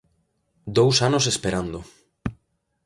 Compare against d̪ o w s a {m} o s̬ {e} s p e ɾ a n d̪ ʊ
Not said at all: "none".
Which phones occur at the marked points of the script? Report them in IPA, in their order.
n, e

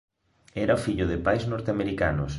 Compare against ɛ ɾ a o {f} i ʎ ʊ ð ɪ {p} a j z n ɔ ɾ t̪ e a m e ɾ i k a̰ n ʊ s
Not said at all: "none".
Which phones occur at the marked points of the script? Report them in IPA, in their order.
f, p

